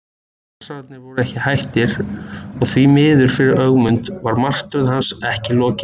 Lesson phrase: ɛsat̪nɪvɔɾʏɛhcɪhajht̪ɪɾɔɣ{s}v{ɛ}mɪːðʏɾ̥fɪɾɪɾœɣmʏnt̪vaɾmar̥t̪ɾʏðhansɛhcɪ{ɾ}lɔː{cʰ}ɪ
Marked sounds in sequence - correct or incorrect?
incorrect: θ, incorrect: i, incorrect: none, incorrect: c

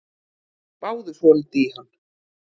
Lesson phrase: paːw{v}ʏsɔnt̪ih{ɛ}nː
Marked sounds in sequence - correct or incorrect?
incorrect: ð, incorrect: a

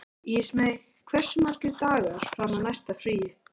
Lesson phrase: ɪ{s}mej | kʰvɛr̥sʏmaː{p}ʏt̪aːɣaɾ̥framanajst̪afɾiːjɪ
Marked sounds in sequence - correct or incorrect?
correct, incorrect: c

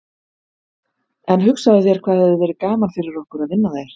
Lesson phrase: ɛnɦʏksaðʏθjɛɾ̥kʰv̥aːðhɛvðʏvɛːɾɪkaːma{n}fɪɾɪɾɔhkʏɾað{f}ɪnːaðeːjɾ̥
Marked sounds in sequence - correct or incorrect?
correct, incorrect: v

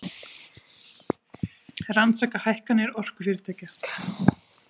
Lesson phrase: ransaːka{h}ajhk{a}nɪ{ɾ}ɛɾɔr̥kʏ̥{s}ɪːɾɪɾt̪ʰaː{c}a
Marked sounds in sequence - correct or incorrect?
correct, correct, incorrect: none, incorrect: f, correct

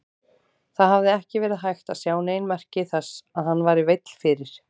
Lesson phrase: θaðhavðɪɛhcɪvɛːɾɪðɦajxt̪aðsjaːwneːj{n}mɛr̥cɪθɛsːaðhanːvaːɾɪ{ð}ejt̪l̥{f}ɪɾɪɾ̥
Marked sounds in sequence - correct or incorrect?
correct, incorrect: v, correct

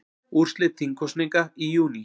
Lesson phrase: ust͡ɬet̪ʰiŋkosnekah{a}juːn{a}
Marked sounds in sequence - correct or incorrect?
incorrect: i, incorrect: i

